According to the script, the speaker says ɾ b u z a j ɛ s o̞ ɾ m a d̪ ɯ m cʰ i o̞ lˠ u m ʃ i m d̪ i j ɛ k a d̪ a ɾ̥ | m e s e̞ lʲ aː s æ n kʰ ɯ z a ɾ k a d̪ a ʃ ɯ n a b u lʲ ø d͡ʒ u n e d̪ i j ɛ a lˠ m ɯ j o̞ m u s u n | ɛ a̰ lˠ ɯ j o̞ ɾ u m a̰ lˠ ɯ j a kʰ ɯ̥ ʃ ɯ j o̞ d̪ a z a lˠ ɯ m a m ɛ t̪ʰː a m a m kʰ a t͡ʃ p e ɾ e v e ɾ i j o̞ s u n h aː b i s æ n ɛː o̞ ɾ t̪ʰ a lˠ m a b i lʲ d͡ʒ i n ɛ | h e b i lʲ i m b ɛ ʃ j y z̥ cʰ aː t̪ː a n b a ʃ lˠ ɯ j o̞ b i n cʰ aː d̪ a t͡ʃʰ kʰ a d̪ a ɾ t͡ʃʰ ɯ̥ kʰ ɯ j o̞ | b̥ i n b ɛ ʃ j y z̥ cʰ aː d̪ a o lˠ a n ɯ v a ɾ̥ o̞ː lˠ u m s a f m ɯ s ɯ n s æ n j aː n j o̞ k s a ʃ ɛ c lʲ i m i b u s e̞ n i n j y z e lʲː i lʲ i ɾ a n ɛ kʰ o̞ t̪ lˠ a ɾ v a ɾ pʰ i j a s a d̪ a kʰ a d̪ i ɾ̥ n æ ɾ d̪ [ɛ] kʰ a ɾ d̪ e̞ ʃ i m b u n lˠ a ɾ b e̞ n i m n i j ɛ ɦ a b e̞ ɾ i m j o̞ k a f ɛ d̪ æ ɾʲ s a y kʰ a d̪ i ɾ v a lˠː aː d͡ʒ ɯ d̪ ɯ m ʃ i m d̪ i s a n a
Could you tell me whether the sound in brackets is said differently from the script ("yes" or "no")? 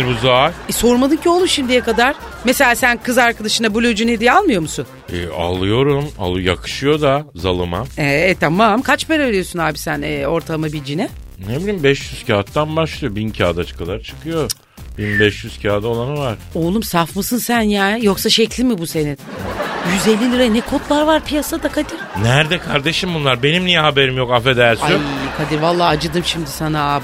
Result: no